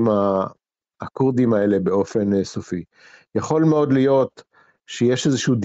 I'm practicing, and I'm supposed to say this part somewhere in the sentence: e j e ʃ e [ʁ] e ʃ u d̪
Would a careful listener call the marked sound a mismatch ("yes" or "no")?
yes